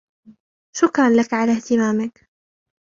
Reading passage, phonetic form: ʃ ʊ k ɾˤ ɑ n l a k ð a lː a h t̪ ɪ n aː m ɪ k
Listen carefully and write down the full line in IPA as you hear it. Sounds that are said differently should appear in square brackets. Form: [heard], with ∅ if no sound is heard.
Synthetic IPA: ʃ ʊ k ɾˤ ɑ n l a k [ʕ] a [l] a h t̪ ɪ [m] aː m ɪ k